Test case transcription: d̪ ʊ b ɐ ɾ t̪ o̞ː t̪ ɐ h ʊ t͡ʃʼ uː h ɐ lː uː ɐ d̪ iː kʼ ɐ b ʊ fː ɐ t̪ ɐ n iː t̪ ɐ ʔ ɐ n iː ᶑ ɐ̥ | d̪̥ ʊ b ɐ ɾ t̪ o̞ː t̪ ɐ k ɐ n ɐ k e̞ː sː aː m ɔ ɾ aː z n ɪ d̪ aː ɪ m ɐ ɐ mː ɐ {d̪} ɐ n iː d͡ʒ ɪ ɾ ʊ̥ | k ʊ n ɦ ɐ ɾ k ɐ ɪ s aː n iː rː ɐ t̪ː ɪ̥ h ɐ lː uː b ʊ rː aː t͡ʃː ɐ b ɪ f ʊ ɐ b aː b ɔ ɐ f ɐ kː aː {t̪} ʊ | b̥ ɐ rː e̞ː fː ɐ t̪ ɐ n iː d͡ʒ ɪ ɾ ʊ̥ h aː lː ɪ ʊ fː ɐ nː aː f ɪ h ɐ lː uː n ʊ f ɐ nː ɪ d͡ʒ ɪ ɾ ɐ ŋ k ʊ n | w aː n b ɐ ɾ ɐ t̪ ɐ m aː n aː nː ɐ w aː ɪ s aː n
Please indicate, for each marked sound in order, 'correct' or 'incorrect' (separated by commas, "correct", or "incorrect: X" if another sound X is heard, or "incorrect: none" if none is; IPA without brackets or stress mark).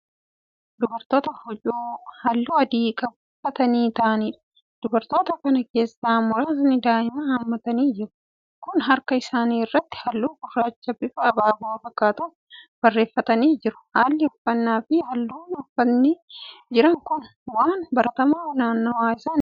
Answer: incorrect: t̪, correct